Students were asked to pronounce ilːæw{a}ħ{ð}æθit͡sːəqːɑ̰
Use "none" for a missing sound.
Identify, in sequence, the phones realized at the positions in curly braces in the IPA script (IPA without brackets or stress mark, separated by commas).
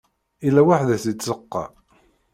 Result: a, ð